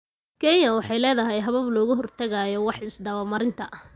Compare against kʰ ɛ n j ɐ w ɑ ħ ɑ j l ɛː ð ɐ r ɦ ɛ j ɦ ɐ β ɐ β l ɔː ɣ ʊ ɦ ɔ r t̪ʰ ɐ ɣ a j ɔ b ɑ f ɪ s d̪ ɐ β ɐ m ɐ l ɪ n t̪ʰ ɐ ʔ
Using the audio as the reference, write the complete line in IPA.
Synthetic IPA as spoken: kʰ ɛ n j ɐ w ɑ ħ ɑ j l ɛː ð ɐ ɦ ɛ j ɦ ɐ β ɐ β l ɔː ɣ ʊ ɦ ɔ r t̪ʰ ɐ ɣ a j ɔ w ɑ ħ ɪ s d̪ ɐ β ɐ m ɐ ɾ ɪ n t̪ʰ ɐ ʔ